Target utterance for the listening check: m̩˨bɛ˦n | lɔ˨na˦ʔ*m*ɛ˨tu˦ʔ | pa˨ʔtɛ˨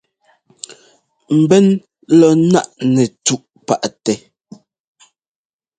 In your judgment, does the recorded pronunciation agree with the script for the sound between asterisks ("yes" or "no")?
no